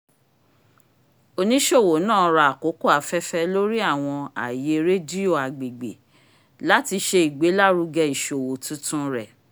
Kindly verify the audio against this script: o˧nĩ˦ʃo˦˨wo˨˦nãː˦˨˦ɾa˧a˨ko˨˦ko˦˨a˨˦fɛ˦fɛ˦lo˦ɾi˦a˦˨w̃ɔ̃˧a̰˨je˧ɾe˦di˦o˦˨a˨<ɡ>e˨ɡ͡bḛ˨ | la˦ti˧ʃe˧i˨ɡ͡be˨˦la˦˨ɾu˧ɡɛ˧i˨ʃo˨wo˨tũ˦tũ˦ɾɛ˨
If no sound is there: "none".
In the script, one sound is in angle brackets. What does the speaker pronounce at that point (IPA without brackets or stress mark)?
ɡ͡b